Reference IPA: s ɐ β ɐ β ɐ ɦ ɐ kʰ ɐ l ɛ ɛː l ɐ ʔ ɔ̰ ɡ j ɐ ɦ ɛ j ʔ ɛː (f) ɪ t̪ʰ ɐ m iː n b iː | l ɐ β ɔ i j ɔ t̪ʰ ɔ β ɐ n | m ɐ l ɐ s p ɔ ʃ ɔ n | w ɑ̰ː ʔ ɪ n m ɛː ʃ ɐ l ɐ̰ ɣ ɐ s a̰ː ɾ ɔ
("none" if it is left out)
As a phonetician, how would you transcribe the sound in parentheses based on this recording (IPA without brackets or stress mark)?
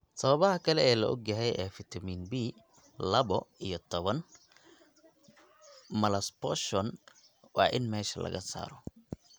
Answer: f